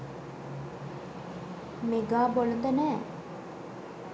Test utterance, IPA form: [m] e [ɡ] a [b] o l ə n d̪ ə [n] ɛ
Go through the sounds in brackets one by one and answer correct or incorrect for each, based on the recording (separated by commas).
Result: correct, correct, correct, correct